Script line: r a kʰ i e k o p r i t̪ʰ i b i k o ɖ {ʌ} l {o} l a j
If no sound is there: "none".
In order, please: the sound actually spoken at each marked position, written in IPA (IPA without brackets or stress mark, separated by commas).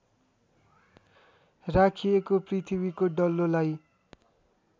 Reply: ʌ, o